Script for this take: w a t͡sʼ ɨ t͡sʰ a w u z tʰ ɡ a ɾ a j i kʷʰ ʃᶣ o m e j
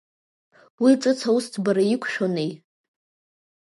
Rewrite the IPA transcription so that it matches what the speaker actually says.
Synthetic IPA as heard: w i t͡sʼ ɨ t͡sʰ a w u s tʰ b a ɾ a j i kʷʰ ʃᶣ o n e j